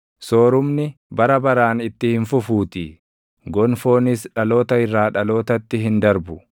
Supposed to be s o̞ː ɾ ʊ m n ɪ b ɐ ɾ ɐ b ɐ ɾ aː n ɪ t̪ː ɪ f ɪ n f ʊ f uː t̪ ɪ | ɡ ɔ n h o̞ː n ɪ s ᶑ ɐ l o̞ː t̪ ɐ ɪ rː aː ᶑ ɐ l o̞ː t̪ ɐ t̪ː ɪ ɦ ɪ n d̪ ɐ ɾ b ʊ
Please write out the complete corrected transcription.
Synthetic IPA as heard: s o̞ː ɾ ʊ m n ɪ b ɐ ɾ ɐ b ɐ ɾ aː n ɪ t̪ː ɪ h ɪ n f ʊ f uː t̪ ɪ | ɡ ɔ n f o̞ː n ɪ s ᶑ ɐ l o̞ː t̪ ɐ ɪ rː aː ᶑ ɐ l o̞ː t̪ ɐ t̪ː ɪ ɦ ɪ n d̪ ɐ ɾ b ʊ